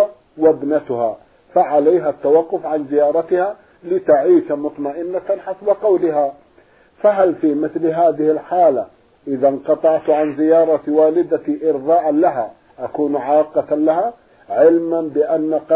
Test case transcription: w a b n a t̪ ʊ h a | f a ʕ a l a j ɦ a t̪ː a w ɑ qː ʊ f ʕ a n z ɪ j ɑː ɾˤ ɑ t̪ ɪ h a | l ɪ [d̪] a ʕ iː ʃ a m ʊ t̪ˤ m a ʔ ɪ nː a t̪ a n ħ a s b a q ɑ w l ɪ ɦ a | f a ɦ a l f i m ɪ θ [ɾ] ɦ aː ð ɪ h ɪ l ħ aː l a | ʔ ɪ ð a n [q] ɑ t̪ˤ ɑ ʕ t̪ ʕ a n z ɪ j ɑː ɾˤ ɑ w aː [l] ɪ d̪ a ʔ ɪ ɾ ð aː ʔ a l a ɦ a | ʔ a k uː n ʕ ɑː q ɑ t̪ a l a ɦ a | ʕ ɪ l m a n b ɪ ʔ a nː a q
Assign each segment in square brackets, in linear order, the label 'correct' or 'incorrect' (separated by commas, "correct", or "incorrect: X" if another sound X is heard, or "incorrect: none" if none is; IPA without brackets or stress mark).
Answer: incorrect: t̪, incorrect: l, correct, correct